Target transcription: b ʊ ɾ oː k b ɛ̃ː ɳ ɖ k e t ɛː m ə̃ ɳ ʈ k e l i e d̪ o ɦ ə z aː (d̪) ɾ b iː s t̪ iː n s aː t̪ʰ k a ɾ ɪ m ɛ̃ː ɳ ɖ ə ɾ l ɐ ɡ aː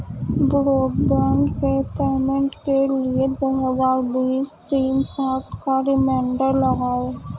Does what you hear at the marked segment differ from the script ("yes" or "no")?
yes